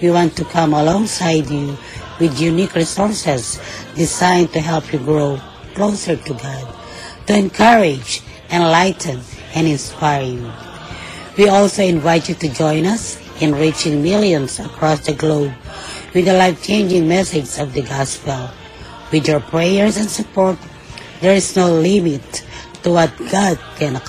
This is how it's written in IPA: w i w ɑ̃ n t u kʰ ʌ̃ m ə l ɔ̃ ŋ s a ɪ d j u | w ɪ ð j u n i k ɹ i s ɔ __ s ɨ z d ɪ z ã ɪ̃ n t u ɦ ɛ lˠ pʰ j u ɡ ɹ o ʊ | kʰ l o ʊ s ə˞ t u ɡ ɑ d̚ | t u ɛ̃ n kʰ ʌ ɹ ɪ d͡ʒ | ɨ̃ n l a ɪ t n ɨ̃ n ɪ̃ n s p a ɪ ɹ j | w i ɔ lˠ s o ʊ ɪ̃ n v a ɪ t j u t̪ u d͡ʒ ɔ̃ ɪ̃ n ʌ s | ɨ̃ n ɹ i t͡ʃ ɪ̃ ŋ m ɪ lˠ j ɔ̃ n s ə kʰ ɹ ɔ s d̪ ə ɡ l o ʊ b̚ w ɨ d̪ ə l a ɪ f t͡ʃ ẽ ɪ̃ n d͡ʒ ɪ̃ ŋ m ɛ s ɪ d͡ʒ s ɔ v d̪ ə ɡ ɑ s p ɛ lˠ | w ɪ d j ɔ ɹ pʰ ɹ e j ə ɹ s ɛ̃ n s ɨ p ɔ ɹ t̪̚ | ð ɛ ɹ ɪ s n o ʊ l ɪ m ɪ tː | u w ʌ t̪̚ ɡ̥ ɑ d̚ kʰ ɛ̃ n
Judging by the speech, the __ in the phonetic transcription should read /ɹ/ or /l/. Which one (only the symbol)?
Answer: ɹ